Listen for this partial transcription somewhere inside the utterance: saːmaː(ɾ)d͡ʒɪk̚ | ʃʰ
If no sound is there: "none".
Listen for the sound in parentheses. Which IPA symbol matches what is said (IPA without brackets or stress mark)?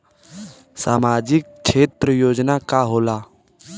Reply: none